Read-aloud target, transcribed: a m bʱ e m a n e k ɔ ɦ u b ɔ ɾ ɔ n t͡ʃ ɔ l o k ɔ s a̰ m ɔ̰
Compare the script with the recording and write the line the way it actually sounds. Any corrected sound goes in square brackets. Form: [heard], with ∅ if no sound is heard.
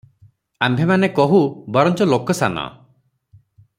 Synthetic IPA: a m bʱ e m a n e k ɔ ɦ u b ɔ ɾ ɔ n t͡ʃ ɔ l o k ɔ s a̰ [n] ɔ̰

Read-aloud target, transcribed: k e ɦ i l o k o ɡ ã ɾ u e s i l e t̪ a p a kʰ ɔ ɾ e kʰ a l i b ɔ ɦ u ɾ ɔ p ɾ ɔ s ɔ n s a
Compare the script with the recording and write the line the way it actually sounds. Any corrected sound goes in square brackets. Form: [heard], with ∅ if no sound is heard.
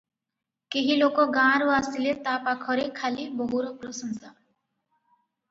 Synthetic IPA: k e ɦ i l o k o ɡ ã ɾ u [a] s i l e t̪ a p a kʰ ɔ ɾ e kʰ a l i b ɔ ɦ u ɾ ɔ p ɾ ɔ s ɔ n s a

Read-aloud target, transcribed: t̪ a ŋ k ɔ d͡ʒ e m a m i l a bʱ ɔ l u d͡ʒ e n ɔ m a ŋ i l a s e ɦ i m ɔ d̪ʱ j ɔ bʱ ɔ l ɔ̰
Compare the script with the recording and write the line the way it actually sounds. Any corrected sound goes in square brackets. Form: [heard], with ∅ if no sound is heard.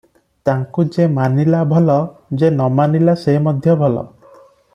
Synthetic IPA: t̪ a ŋ k [u] d͡ʒ e m a [n] i l a bʱ ɔ l [ɔ] d͡ʒ e n ɔ m a [n] i l a s e ɦ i m ɔ d̪ʱ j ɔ bʱ ɔ l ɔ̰

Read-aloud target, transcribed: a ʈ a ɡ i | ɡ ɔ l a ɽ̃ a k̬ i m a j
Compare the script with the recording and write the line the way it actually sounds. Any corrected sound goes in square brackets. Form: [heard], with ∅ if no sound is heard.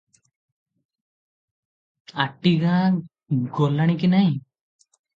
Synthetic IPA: a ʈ [i] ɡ [a] | ɡ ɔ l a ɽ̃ [i] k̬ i [n] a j

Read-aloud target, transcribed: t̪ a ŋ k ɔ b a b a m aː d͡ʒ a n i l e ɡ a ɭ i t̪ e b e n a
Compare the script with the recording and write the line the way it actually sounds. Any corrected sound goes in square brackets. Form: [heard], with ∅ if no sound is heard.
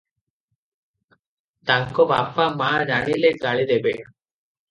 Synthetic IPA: t̪ a ŋ k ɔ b a [p] a m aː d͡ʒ a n i l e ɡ a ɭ i [d̪] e b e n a

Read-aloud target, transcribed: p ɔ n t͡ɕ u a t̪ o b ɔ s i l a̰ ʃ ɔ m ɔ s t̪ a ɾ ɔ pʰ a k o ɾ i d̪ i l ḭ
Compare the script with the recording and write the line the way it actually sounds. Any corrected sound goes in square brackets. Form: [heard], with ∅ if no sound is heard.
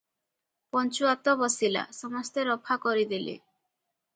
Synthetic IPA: p ɔ n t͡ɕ u a t̪ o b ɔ s i l a̰ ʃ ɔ m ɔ s t̪ [e] ɾ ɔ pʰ a k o ɾ i d̪ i l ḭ

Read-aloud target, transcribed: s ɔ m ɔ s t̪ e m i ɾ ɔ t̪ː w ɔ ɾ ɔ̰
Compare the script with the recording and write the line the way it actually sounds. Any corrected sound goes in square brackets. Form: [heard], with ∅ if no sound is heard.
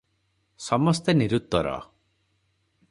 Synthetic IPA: s ɔ m ɔ s t̪ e [n] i ɾ [u] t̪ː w ɔ ɾ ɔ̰

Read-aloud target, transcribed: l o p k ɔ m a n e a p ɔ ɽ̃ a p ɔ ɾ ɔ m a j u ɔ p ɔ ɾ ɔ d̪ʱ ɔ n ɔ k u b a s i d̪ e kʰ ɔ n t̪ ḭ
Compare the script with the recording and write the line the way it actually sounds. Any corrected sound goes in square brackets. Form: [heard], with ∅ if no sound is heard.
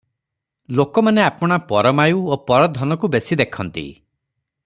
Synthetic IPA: l o [∅] k ɔ m a n e a p ɔ ɽ̃ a p ɔ ɾ ɔ m a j u [o] p ɔ ɾ ɔ d̪ʱ ɔ n ɔ k u b [e] s i d̪ e kʰ ɔ n t̪ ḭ

